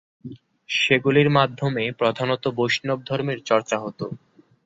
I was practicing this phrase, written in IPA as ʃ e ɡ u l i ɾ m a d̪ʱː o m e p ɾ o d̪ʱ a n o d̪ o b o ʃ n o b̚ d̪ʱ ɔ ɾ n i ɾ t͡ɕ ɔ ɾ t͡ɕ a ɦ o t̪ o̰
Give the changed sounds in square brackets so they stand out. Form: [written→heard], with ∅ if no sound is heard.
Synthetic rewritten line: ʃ e ɡ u l i ɾ m a d̪ʱː o m e p ɾ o d̪ʱ a n o [d̪→t̪] o b o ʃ n o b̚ d̪ʱ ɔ ɾ [n→m] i ɾ t͡ɕ ɔ ɾ t͡ɕ a ɦ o t̪ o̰